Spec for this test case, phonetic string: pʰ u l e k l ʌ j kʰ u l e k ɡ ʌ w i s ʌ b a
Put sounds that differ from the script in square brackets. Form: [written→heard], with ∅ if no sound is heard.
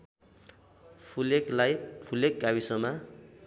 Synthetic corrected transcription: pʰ u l e k l [ʌ→a] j [kʰ→pʰ] u l e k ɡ [ʌ→a] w i s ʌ [b→m] a